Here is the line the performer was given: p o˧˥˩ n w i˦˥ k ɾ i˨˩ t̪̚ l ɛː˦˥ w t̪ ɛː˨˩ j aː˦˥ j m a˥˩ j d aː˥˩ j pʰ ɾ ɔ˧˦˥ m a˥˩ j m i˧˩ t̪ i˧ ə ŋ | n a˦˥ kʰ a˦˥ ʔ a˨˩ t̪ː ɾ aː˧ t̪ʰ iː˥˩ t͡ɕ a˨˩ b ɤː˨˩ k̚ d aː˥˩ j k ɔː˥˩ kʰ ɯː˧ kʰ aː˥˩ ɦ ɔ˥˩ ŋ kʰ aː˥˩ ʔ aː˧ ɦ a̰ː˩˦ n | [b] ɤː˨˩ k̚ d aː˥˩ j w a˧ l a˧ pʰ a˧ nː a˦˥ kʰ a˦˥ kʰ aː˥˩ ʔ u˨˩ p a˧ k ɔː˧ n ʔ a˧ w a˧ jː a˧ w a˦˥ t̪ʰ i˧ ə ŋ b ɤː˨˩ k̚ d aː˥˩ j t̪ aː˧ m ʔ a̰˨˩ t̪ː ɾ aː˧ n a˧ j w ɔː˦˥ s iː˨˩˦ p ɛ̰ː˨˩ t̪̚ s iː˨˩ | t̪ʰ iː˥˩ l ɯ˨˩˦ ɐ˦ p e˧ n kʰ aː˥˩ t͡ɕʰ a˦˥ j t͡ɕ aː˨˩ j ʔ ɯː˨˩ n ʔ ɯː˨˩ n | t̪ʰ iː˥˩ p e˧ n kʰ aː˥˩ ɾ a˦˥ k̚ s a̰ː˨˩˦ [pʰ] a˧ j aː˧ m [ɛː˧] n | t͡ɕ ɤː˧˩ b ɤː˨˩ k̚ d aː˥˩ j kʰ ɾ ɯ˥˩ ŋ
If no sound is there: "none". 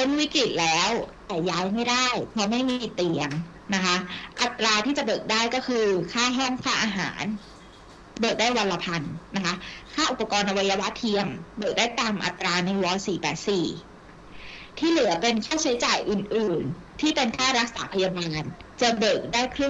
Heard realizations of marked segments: b, pʰ, aː˧

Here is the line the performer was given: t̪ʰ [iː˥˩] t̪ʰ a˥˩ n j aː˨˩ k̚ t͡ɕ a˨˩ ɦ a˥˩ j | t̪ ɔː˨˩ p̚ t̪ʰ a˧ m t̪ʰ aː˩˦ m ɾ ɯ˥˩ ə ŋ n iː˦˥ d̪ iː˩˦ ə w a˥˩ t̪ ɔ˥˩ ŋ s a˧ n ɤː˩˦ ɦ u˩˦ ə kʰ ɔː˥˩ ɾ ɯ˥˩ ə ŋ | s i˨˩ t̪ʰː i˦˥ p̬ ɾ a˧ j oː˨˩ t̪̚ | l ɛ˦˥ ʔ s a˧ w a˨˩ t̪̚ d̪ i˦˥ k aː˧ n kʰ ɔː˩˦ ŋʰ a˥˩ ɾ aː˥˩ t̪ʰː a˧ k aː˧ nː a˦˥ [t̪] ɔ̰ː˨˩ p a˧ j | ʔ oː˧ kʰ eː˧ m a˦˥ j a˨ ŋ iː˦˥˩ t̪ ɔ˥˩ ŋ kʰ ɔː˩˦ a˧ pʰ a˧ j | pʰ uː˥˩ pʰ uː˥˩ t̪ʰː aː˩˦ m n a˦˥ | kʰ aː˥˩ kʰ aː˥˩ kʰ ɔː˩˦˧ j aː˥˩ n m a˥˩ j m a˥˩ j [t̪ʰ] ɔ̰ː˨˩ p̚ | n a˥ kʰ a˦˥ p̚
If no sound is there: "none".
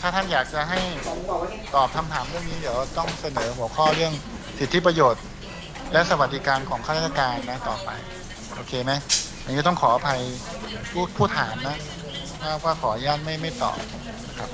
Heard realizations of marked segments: aː˥˩, t̪, t̪

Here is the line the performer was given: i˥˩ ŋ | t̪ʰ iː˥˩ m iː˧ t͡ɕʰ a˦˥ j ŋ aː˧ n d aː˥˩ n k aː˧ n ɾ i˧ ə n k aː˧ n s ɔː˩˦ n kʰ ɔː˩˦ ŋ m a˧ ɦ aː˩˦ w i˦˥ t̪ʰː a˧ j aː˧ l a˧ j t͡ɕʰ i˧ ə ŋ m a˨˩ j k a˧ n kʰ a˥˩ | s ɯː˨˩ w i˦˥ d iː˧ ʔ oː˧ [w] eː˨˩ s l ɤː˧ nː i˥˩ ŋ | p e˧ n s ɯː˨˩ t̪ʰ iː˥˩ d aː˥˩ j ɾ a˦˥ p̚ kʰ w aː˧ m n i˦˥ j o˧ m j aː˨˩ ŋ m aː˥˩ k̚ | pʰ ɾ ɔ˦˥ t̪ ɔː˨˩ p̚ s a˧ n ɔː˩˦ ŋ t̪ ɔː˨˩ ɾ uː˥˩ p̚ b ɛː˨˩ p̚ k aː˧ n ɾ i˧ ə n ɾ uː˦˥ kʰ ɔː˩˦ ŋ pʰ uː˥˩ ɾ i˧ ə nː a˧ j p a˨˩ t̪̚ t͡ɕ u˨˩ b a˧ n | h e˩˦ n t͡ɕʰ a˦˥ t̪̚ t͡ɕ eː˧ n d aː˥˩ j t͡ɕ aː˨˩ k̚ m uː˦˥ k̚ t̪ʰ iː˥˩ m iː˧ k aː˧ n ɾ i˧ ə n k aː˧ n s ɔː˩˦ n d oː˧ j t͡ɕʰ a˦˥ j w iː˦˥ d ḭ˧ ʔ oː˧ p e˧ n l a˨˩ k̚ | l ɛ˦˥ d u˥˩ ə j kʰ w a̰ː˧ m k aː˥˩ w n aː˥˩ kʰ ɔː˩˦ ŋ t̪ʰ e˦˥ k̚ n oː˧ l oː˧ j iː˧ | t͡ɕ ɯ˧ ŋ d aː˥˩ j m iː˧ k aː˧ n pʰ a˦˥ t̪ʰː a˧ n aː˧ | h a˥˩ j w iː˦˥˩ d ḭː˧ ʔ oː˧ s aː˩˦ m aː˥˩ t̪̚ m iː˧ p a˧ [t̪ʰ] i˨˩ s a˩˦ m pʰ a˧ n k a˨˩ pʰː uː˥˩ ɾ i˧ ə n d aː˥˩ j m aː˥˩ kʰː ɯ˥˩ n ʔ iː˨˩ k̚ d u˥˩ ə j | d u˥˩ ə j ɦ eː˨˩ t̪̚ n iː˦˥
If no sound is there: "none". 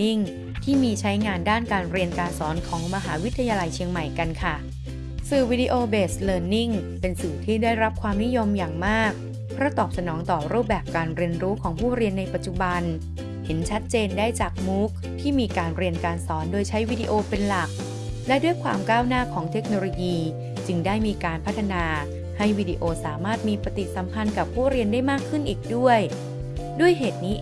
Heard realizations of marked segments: b, t̪

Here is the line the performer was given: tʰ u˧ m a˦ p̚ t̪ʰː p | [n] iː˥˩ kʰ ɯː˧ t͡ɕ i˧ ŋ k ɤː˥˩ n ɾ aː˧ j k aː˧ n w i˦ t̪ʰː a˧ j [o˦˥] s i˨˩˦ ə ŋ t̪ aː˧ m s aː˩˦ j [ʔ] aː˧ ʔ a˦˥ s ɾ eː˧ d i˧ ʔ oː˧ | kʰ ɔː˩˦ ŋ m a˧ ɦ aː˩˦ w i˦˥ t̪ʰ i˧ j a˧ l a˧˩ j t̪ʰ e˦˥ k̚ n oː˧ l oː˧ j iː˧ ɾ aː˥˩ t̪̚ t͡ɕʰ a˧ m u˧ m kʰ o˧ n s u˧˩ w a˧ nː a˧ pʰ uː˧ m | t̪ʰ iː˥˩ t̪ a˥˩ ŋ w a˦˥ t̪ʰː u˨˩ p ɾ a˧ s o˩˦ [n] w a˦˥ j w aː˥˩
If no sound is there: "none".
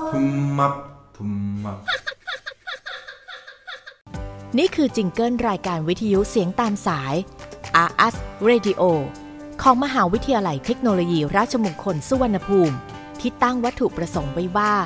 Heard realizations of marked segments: n, u˦˥, ʔ, ŋ

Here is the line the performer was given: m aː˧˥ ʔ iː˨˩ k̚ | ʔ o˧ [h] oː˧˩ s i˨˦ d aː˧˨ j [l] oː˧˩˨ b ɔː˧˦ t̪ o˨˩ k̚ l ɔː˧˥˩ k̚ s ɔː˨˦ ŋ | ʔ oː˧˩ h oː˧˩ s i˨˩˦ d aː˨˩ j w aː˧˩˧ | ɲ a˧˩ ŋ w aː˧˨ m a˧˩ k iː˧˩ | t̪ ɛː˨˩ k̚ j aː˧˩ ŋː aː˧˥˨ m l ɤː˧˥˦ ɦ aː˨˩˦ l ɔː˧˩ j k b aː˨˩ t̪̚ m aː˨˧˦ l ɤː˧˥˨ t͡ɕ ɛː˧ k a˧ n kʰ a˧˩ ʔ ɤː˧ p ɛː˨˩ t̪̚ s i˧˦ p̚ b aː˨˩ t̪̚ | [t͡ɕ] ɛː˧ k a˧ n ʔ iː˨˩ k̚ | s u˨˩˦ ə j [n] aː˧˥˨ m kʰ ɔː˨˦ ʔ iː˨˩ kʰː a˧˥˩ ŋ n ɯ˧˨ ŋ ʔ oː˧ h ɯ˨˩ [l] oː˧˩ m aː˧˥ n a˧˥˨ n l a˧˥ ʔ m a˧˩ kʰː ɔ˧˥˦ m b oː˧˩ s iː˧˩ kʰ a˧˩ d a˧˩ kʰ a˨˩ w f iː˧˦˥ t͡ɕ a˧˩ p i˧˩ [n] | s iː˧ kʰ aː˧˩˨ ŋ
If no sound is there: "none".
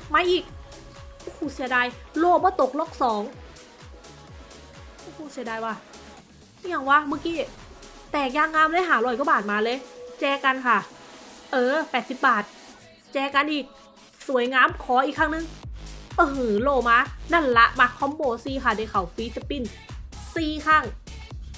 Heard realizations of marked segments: h, l, t͡ɕ, ŋ, l, n

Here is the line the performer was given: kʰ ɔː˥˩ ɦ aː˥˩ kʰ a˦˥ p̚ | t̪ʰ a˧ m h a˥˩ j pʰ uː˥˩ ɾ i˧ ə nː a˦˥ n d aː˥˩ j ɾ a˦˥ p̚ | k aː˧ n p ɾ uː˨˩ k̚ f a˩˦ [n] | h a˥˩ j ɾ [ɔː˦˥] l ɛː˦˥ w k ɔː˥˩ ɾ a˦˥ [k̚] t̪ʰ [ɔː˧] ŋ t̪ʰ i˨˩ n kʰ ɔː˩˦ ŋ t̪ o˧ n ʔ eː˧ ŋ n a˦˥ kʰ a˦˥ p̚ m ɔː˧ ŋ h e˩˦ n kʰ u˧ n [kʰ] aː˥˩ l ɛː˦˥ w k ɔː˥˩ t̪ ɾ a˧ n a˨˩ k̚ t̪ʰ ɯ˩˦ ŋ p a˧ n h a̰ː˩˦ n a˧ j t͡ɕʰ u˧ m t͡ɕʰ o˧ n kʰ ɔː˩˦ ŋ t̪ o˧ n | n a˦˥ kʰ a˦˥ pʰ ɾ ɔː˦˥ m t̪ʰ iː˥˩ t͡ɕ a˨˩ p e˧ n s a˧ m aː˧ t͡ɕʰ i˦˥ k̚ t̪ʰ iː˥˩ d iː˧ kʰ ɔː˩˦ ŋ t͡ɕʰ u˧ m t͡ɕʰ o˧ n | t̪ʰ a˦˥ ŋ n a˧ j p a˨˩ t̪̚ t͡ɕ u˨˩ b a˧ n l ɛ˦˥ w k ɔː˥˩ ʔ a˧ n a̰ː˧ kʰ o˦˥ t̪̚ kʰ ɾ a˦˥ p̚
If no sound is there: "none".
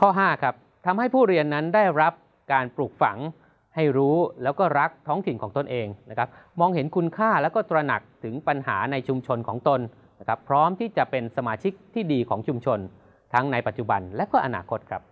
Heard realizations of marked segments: ŋ, uː˦˥, k̚, ɔː˦˥, kʰ

